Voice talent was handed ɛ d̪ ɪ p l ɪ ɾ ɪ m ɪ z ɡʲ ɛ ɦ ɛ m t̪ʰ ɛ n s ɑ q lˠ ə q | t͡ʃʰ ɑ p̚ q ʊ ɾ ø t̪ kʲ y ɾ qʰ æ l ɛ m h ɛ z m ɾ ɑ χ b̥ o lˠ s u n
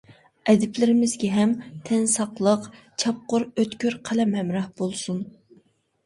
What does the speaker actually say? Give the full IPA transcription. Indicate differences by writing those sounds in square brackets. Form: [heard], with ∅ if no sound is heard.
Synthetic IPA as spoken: ɛ d̪ ɪ p l ɪ ɾ ɪ m ɪ z ɡʲ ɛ ɦ ɛ m t̪ʰ ɛ n s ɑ q lˠ ə q | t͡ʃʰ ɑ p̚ q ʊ ɾ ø t̪ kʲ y ɾ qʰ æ l ɛ m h ɛ [∅] m ɾ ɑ [h] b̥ o lˠ s u n